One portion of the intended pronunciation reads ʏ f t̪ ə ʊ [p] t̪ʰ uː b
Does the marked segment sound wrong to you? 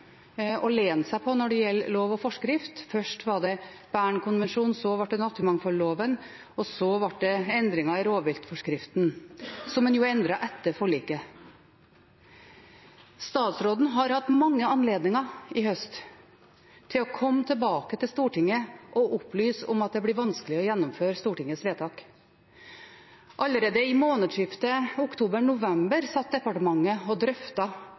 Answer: yes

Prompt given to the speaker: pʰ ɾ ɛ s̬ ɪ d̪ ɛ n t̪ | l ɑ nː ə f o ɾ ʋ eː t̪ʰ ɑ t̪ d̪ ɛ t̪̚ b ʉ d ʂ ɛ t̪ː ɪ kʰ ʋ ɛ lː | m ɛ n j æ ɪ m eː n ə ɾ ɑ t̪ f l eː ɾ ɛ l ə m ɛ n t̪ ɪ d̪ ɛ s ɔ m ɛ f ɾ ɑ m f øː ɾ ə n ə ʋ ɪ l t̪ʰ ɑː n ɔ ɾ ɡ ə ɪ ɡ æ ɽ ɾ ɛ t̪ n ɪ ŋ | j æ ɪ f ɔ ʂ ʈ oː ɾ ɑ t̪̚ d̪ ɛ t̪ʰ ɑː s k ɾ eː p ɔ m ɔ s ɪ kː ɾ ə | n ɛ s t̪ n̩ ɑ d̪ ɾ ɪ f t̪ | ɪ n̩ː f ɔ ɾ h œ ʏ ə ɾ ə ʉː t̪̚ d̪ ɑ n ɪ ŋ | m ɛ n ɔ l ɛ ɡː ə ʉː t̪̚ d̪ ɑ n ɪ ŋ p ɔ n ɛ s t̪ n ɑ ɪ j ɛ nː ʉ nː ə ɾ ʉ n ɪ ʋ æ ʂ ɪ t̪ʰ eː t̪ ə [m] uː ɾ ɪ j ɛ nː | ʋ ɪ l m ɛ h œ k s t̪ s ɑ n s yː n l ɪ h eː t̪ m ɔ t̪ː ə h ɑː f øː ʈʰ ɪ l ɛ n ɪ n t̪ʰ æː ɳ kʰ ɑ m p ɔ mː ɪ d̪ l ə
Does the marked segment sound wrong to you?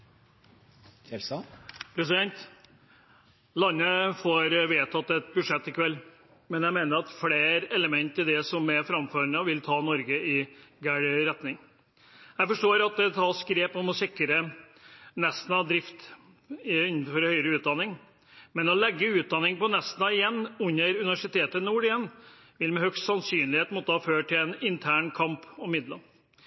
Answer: yes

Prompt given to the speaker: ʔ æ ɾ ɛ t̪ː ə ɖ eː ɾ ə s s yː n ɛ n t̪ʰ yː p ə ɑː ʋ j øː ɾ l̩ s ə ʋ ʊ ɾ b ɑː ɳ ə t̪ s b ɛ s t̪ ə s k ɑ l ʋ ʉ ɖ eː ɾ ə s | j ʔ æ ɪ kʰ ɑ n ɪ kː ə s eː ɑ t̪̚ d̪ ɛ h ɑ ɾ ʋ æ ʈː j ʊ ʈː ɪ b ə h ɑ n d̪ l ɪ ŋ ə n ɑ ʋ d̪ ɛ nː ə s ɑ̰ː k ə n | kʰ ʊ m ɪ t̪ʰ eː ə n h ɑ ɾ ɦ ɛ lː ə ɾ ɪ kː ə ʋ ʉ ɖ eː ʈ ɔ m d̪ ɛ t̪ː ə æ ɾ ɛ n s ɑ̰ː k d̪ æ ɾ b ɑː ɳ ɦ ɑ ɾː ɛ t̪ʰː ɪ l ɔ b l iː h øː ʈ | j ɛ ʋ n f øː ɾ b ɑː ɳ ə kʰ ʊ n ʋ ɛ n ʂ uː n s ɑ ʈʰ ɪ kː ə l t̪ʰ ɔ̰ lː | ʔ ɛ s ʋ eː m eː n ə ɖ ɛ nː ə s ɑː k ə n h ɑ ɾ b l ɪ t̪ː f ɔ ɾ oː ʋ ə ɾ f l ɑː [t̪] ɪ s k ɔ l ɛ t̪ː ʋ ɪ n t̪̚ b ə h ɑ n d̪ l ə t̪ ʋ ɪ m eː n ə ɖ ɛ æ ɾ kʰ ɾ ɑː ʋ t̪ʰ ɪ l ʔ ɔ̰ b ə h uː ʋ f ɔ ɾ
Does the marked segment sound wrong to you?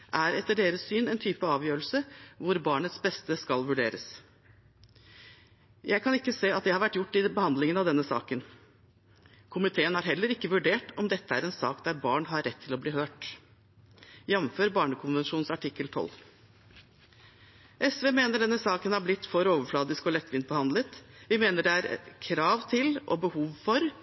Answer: yes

